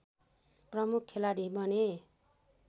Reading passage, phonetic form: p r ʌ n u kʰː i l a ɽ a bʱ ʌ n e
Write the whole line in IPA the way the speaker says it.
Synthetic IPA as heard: p r ʌ m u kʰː e l a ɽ i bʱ ʌ n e